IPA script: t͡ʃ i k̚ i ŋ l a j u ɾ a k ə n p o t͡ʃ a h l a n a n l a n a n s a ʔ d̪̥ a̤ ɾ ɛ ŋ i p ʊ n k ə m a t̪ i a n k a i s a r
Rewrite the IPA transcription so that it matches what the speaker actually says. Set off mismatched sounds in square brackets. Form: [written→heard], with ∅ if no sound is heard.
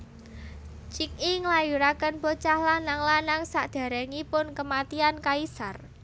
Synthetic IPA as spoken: t͡ʃ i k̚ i ŋ l a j u ɾ a k ə n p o t͡ʃ a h l a n a [n→ŋ] l a n a [n→ŋ] s a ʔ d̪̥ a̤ ɾ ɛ ŋ i p ʊ n k ə m a t̪ i a n k a i s a r